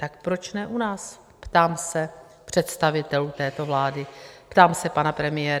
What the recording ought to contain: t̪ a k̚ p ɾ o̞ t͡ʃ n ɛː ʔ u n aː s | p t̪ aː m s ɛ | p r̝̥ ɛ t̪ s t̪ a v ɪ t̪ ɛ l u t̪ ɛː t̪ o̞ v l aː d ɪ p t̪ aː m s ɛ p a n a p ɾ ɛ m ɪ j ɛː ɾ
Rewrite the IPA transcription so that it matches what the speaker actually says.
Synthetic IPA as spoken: t̪ a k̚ p ɾ o̞ t͡ʃ n ɛ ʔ u n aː s | p t̪ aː m s ɛ | p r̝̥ ɛ t̪ s t̪ a v ɪ t̪ ɛ l u t̪ ɛː t̪ o̞ v l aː d ɪ p t̪ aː m s ɛ p a n a p ɾ ɛ m ɪ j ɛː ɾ